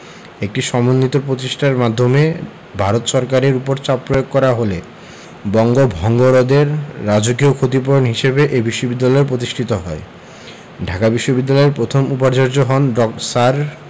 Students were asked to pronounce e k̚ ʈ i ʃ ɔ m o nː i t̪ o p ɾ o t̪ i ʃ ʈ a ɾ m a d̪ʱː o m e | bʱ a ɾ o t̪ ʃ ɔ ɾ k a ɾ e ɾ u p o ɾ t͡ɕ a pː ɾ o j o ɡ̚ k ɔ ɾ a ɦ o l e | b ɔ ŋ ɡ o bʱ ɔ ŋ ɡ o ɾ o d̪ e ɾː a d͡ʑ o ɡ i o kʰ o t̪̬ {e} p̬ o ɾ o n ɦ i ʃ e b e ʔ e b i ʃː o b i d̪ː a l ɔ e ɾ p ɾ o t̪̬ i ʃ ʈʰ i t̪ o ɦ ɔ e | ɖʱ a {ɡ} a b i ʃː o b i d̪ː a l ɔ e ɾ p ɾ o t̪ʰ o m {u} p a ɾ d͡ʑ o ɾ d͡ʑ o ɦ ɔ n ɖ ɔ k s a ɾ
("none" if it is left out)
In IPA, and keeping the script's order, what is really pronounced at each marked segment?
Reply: i, k, u

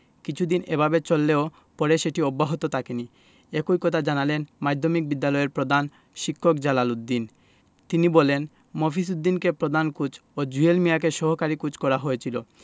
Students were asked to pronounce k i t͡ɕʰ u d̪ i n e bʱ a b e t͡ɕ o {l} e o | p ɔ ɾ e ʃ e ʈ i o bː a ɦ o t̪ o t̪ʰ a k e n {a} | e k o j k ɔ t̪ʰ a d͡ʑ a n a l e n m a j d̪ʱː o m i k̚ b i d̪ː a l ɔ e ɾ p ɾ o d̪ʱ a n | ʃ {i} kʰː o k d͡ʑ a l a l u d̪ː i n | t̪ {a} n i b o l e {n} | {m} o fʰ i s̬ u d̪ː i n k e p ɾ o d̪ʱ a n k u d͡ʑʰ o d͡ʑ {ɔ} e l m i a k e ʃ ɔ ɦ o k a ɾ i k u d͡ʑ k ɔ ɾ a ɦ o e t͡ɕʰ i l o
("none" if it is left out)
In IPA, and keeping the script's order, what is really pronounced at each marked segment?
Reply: lː, i, i, i, n, m, u

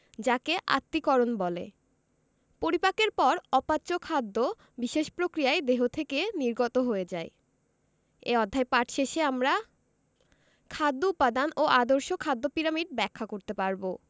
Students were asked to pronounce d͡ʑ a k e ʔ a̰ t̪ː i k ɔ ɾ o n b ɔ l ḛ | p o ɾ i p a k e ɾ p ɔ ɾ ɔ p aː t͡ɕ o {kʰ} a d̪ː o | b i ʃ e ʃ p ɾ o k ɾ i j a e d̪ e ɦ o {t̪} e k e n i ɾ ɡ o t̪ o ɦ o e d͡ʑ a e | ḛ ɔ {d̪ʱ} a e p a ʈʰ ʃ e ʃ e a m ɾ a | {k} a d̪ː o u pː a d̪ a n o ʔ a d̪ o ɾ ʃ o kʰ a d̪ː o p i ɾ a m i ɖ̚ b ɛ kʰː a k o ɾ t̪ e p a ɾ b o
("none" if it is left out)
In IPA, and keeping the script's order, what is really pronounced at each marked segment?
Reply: kʰ, t̪ʰ, d̪ʱː, kʰ

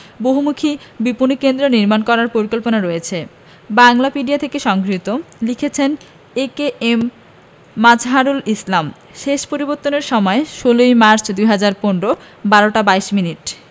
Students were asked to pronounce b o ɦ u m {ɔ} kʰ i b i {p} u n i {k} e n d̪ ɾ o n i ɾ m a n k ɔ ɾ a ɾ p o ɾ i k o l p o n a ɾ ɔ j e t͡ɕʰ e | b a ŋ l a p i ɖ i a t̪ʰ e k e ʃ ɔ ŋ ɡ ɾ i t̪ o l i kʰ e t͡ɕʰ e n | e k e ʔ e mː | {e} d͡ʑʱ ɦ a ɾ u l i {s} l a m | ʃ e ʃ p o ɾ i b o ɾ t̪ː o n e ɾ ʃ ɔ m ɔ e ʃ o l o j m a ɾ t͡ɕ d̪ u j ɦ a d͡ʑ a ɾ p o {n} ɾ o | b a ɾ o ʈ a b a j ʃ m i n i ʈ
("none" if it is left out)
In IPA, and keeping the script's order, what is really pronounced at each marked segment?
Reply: u, p, k, a, s, n

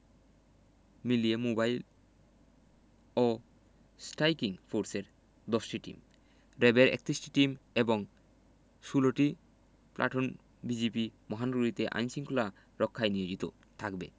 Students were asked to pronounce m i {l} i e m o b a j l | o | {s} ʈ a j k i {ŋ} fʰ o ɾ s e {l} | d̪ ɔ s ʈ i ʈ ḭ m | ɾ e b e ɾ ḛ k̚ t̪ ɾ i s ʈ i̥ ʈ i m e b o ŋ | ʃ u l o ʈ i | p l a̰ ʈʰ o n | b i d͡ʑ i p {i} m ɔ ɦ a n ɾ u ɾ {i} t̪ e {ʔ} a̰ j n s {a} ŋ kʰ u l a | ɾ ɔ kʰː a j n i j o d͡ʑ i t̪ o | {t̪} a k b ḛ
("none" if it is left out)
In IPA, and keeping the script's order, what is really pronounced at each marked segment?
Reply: l, s, ŋ, ɾ, i, i, ʔ, i, t̪ʰ

